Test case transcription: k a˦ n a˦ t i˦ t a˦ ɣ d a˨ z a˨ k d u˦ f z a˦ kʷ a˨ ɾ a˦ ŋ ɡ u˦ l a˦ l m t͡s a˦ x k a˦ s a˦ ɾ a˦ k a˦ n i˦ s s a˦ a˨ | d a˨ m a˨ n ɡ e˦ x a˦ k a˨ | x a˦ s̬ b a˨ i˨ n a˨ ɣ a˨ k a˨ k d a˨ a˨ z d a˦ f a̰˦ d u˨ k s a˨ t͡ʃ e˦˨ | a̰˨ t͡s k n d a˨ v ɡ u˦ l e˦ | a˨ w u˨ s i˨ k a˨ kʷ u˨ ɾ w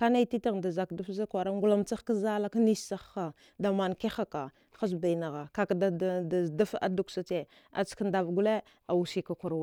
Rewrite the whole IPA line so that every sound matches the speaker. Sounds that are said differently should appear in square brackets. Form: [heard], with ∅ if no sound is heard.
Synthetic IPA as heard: k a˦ n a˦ t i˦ t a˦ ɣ d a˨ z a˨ k d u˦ f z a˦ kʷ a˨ ɾ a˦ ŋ ɡ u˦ l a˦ [∅] m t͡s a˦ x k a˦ [z] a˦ [l] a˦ k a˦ n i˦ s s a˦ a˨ | d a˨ m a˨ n [k] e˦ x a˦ k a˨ | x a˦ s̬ b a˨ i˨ n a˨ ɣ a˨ k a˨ k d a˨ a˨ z d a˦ f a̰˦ d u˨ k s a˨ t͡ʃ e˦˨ | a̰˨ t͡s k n d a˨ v ɡ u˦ l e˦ | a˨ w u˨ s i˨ k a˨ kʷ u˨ ɾ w